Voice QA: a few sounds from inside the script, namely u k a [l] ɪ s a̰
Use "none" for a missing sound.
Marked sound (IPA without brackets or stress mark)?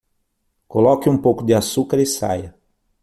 ɾ